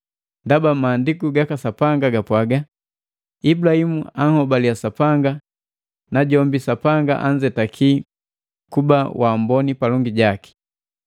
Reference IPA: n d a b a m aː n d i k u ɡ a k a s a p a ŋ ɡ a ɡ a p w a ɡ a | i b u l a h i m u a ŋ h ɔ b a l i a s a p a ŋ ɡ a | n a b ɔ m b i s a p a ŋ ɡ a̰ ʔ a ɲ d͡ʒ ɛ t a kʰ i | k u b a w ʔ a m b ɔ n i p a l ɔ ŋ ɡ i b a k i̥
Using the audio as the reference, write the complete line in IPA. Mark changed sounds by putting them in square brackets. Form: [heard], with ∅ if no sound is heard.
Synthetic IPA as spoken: n d a b a m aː n d i k u ɡ a k a s a p a ŋ ɡ a ɡ a p w a ɡ a | i b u l a h i m u a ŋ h ɔ b a l i a s a p a ŋ ɡ a | n a [ɟ] ɔ m b i s a p a ŋ ɡ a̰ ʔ a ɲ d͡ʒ ɛ t a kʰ i | k u b a w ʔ a m b ɔ n i p a l ɔ ŋ ɡ i [ɟ] a k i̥